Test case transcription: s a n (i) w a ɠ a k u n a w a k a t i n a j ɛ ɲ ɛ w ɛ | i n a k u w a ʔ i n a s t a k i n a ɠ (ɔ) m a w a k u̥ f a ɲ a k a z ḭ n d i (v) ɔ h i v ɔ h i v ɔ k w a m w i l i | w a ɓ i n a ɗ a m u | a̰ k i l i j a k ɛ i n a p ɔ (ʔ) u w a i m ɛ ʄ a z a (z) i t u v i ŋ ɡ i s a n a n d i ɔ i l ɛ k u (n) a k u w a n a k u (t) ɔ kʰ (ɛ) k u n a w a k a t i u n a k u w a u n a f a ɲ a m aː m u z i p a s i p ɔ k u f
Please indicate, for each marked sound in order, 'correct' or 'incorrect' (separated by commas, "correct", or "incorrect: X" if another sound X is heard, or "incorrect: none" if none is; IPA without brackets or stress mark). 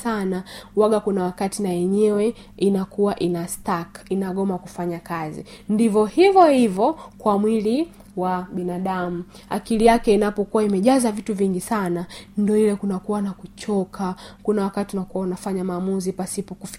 incorrect: a, correct, correct, incorrect: k, incorrect: v, correct, incorrect: t͡ʃ, incorrect: a